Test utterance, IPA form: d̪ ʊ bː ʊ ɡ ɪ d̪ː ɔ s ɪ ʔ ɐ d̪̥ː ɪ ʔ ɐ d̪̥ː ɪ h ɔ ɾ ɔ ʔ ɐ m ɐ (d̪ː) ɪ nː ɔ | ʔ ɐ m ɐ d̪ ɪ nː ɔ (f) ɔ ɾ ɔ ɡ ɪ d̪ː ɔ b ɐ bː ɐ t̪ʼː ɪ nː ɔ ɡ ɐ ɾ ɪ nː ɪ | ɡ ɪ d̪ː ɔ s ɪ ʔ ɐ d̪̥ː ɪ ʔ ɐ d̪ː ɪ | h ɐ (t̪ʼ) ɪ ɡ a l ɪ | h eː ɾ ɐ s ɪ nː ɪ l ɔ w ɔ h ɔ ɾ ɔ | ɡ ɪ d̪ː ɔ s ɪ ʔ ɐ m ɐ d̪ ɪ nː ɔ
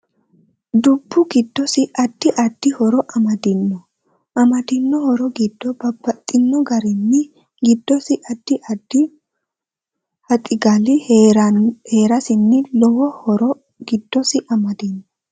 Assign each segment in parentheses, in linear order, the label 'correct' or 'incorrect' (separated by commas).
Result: incorrect, incorrect, correct